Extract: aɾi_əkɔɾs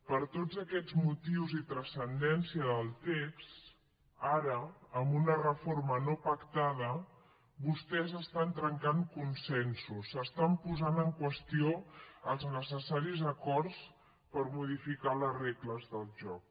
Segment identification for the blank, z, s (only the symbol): z